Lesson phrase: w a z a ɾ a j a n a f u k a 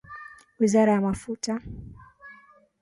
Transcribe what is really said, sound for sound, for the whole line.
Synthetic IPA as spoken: w i z a ɾ a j a m a f u t a

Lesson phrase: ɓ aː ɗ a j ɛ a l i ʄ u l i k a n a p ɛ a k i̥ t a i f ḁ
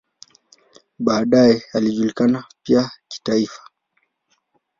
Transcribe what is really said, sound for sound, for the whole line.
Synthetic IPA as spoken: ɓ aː ɗ a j ɛ a l i ʄ u l i k a n a p i a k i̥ t a i f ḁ

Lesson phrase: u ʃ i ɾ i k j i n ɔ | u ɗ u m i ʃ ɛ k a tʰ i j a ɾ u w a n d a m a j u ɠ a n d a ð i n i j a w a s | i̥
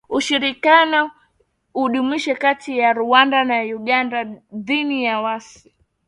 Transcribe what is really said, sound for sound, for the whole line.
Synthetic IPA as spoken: u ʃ i ɾ i k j a n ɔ | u ɗ u m i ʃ ɛ k a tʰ i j a ɾ u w a n d a n a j u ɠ a n d a ð i n i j a w a s | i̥

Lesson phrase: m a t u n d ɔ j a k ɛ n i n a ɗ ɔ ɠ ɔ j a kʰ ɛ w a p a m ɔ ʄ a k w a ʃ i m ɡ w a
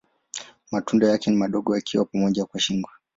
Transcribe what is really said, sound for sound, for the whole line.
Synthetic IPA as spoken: m a t u n d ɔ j a k ɛ n i m a ɗ ɔ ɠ ɔ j a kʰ i w a p a m ɔ ʄ a k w a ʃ i ŋ ɡ w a

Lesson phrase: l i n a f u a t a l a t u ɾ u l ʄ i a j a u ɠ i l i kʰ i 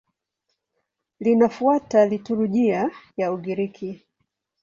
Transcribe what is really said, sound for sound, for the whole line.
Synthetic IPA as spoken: l i n a f u a t a l i t u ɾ u ʄ i a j a u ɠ i ɾ i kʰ i

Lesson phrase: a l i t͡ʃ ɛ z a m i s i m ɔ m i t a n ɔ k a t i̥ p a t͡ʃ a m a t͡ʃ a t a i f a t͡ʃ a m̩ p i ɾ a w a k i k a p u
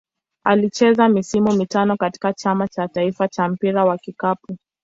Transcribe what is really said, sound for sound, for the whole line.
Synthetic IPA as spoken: a l i t͡ʃ ɛ z a m i s i m u m i t a n ɔ k a t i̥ k a t͡ʃ a m a t͡ʃ a t a i f a t͡ʃ a m̩ p i ɾ a w a k i k a p u

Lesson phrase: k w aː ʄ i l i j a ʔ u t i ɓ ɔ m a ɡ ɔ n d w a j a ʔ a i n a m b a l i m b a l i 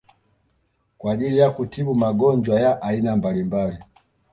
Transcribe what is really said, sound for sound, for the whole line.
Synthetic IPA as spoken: k w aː ʄ i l i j a k u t i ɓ u m a ɡ ɔ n d͡ʒ w a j a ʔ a i n a m b a l i m b a l i

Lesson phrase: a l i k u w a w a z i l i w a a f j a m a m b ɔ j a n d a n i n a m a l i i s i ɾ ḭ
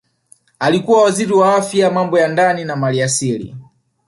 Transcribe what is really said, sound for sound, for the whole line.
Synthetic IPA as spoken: a l i k u w a w a z i ɾ i w a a f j a m a m b ɔ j a n d a n i n a m a l i a s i l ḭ

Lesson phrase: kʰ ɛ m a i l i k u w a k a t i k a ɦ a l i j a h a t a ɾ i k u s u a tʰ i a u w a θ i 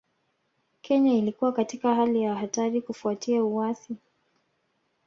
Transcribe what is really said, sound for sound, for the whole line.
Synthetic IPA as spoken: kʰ ɛ ɲ a i l i k u w a k a t i k a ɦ a l i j a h a t a ɾ i k u f u a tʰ i a u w a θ i

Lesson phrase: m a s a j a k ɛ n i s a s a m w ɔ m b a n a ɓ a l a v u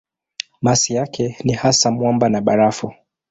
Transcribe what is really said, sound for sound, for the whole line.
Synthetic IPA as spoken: m a s i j a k ɛ n i h a s a m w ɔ m b a n a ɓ a ɾ a f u

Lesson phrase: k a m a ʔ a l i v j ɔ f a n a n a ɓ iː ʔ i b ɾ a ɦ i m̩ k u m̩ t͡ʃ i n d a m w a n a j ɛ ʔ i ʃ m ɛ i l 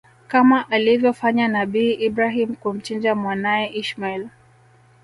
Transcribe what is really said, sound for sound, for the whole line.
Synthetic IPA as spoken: k a m a ʔ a l i v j ɔ f a ɲ a n a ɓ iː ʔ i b ɾ a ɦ i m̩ k u m̩ t͡ʃ i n d͡ʒ a m w a n a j ɛ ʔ i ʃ m a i l

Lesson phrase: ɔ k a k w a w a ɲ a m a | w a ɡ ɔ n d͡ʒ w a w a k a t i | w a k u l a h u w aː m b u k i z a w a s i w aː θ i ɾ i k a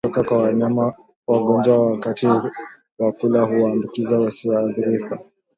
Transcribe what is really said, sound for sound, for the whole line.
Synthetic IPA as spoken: ɔ k a k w a w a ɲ a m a | w a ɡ ɔ n d͡ʒ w a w a k a t i | w a k u l a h u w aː m b u k i z a w a s i w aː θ i ɾ i k a

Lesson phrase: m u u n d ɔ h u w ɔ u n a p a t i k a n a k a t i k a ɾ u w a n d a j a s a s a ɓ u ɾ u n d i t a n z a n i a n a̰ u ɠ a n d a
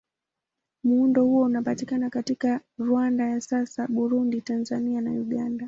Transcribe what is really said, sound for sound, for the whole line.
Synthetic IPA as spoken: m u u n d ɔ h u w ɔ u n a p a t i k a n a k a t i k a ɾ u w a n d a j a s a s a ɓ u ɾ u n d i t a n z a n i a n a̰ u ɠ a n d a

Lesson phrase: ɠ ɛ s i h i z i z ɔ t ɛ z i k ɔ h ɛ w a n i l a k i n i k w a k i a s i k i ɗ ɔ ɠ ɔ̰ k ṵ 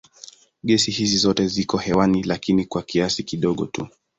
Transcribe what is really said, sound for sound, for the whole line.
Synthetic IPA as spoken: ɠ ɛ s i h i z i z ɔ t ɛ z i k ɔ h ɛ w a n i l a k i n i k w a k i a s i k i ɗ ɔ ɠ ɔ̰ t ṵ

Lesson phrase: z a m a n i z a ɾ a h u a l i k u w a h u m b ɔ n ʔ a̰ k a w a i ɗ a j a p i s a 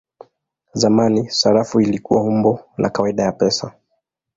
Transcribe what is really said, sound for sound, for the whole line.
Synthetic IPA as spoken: z a m a n i s a ɾ a f u i l i k u w a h u m b ɔ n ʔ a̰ k a w a i ɗ a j a p ɛ s a

